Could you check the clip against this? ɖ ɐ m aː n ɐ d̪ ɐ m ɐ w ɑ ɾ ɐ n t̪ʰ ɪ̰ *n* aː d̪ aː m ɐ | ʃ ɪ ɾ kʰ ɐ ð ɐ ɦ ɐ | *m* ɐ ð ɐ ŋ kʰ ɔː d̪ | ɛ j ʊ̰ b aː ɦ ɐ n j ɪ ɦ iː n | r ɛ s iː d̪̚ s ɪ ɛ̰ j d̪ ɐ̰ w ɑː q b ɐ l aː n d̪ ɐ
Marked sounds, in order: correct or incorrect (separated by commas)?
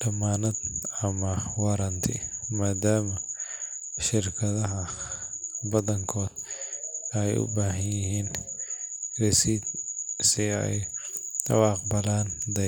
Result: incorrect, incorrect